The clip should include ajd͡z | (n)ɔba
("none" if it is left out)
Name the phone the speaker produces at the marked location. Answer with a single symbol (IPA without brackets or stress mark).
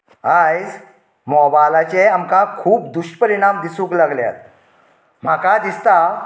m